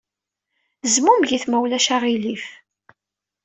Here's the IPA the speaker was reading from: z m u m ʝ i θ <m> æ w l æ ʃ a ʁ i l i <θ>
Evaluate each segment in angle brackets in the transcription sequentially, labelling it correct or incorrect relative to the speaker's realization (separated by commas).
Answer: correct, incorrect